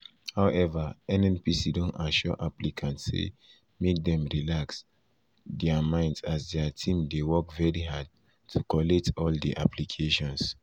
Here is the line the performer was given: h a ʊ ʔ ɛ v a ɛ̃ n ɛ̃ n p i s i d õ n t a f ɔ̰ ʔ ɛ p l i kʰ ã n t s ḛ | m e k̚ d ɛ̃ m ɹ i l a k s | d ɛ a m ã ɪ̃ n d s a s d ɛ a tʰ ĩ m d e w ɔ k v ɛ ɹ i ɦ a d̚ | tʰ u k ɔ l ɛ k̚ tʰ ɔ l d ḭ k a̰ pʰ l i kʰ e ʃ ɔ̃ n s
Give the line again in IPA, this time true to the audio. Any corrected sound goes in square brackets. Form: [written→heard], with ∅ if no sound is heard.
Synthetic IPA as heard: h a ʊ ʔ ɛ v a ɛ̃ n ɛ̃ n p i s i d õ n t a [f→ʃ] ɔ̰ ʔ [ɛ→a] p l i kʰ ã n t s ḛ | m e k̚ d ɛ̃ m ɹ i l a k s | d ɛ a m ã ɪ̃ n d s a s d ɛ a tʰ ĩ m d e w ɔ k v ɛ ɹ i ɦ a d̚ | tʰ u k ɔ l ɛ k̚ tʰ ɔ l d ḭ [k→ʔ] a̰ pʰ l i kʰ e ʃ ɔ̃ n s